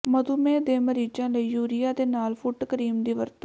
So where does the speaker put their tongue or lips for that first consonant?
lips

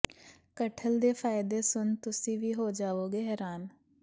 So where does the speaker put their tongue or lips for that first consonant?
velum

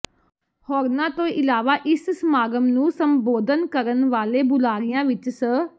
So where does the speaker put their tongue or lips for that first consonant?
throat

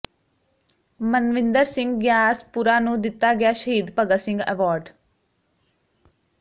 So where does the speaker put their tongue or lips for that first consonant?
lips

